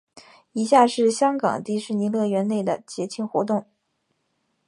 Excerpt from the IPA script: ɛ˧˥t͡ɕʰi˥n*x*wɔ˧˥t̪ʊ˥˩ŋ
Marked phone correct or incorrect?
correct